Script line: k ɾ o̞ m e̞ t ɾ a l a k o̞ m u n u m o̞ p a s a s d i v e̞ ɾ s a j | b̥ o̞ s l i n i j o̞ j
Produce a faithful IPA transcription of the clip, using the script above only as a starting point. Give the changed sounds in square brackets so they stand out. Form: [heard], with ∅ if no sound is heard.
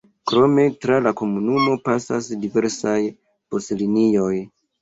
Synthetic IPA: k ɾ o̞ m e̞ t ɾ a l a k o̞ m u n u m o̞ p a s a s d i v e̞ ɾ s a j | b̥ o̞ s l i n i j o̞ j